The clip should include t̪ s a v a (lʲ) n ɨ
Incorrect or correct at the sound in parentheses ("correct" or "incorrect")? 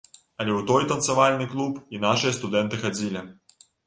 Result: correct